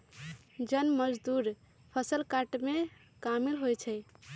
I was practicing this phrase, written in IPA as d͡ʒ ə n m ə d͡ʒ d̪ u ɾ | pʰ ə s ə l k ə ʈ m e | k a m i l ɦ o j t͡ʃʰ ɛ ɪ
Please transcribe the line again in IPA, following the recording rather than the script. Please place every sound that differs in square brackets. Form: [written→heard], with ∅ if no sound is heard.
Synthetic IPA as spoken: d͡ʒ ə n m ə d͡ʒ d̪ u ɾ | pʰ ə s ə l k [ə→a] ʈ m e | k a m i l ɦ o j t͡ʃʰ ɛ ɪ